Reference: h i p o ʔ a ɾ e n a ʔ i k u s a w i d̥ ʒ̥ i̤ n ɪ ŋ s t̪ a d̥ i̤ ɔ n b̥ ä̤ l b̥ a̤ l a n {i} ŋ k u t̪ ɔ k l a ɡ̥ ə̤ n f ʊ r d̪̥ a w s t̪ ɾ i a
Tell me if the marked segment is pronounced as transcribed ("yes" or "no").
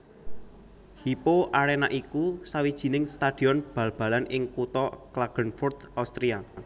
no